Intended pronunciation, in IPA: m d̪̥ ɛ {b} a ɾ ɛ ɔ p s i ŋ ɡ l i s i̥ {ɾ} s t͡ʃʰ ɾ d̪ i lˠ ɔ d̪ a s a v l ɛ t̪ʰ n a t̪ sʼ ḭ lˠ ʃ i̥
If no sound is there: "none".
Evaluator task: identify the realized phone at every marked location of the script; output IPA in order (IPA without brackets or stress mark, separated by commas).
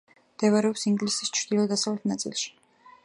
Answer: v, none